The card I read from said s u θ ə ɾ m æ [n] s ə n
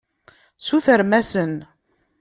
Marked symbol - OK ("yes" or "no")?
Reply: no